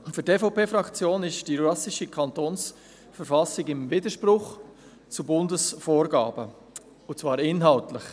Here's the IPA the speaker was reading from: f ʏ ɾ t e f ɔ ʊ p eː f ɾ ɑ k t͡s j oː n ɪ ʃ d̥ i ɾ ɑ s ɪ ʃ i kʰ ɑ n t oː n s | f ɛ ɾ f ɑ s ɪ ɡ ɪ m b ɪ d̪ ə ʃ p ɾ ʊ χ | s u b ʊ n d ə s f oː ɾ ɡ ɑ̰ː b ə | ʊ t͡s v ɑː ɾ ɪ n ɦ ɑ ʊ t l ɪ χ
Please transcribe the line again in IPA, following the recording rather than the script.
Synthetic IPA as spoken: f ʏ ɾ t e f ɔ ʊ p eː f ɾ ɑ k t͡s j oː n ɪ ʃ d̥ i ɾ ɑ s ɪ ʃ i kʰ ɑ n t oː n s | f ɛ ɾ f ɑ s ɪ ɡ ɪ m v ɪ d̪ ə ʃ p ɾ ʊ χ | t͡s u b ʊ n d ə s f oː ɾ ɡ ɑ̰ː b ə | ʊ t͡s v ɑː ɾ ɪ n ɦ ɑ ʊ t l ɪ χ